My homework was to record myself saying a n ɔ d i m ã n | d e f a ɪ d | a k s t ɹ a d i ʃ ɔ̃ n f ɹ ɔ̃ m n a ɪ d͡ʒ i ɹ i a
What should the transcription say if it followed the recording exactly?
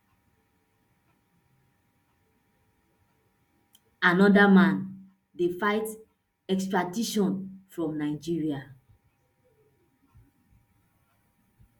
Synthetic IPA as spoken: a n ɔ d a m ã n | d e f a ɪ t | ɛ k s t ɹ a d i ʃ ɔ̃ n f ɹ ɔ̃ m n a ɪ d͡ʒ i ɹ i a